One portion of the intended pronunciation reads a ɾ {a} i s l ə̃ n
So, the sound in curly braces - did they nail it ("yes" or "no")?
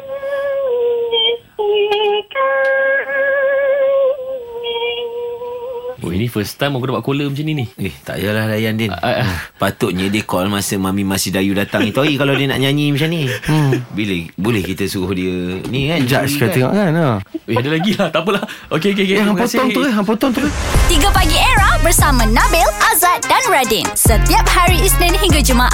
no